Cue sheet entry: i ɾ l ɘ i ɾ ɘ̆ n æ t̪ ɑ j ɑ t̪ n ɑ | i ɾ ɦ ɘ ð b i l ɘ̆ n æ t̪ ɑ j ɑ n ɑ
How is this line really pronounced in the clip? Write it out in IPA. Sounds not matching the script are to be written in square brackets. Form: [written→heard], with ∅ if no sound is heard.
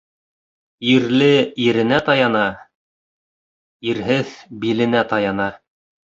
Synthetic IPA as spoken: i ɾ l ɘ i ɾ ɘ̆ n æ t̪ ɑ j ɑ [t̪→∅] n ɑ | i ɾ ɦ ɘ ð b i l ɘ̆ n æ t̪ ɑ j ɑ n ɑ